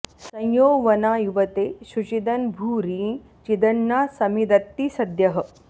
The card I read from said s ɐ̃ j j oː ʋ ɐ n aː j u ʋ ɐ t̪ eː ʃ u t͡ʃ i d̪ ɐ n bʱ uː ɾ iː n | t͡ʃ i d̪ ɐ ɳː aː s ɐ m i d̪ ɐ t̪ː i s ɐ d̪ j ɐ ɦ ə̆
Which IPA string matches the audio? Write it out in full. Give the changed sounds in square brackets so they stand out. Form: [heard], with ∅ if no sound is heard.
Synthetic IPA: s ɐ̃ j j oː ʋ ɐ n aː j u ʋ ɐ t̪ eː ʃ u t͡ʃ i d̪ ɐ n bʱ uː ɾ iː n | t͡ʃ i d̪ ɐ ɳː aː s ɐ m i d̪ ɐ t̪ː i s ɐ d̪ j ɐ ɦ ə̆